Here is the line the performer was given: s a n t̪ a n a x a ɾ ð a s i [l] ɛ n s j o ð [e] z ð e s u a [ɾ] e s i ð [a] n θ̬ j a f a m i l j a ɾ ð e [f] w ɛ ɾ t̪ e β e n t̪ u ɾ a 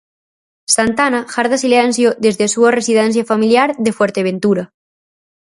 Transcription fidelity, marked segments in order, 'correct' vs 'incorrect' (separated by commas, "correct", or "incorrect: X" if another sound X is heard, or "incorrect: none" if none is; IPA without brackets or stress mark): correct, correct, incorrect: r, incorrect: ɛ, correct